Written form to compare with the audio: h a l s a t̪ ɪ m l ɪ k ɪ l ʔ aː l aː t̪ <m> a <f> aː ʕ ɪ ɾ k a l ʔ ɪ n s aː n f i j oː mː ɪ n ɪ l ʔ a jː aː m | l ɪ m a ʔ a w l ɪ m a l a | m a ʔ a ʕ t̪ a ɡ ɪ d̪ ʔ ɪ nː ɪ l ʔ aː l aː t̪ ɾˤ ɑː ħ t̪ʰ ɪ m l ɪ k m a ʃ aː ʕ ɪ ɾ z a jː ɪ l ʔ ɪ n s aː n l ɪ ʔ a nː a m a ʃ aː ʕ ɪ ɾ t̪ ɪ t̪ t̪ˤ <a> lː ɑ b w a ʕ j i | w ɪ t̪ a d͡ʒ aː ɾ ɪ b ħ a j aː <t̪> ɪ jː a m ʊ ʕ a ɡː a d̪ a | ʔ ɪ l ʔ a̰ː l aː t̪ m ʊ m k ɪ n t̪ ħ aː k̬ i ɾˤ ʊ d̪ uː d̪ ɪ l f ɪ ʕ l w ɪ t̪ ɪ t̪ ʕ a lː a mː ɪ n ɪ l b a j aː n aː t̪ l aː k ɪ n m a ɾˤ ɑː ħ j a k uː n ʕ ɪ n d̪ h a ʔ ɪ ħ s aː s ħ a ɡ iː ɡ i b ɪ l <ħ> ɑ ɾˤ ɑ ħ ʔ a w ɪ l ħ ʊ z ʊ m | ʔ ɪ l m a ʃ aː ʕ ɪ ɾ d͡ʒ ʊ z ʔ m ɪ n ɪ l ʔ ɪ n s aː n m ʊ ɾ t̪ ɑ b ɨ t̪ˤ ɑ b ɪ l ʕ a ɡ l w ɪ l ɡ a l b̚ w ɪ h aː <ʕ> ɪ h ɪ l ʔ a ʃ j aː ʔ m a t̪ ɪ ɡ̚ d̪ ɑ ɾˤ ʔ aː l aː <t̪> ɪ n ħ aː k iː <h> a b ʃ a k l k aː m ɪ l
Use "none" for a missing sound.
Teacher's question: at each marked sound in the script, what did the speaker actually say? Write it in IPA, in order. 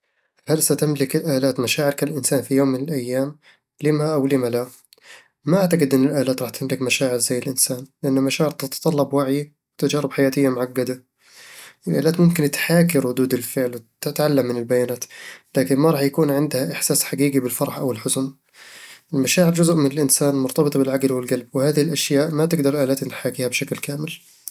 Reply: m, ʃ, ɑ, t̪, f, ð, t̪, h

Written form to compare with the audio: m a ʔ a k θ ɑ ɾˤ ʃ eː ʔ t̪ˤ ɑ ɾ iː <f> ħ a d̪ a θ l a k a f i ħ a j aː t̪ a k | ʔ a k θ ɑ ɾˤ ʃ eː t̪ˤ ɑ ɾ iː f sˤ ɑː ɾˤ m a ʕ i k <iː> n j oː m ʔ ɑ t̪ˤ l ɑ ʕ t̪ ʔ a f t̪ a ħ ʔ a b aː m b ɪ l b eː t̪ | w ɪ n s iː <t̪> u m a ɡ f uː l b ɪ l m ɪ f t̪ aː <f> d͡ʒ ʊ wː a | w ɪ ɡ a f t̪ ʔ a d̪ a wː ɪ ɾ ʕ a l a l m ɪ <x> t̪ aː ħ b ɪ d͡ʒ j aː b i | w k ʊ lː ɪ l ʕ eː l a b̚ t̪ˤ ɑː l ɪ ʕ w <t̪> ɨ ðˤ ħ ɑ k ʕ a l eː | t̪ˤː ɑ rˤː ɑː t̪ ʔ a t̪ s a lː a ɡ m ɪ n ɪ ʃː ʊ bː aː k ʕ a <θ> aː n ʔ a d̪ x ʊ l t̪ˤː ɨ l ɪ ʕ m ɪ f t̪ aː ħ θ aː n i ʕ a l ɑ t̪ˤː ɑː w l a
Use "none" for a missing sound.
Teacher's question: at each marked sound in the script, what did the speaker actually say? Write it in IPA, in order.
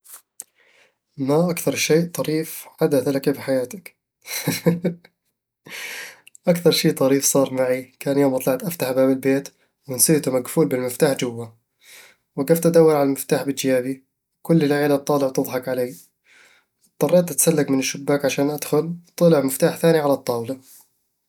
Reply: f, aː, t̪, ħ, f, t̪, ʃ

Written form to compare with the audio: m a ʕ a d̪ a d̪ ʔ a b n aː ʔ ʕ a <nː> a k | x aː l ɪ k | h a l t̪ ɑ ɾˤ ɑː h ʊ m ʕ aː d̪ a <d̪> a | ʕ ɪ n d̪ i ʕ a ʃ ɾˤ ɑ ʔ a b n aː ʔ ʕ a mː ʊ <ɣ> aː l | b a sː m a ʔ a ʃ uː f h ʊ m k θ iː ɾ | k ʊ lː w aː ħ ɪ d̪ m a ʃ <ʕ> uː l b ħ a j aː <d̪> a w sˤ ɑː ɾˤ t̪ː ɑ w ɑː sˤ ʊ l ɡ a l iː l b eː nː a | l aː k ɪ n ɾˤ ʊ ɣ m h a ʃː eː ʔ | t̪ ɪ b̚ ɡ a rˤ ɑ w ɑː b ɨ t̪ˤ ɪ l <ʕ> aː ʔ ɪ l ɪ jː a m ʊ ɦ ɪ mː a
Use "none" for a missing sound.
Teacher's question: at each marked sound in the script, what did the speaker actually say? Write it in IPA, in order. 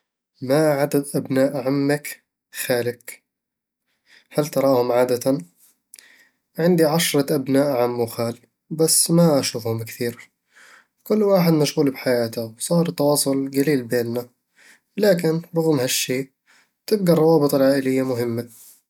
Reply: mː, t̪, x, ɣ, t̪, ʕ

